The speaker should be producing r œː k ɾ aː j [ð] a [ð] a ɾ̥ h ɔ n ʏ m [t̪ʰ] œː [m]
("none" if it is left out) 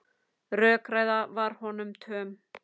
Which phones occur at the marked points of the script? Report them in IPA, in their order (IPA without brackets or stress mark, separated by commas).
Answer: ð, v, t̪ʰ, m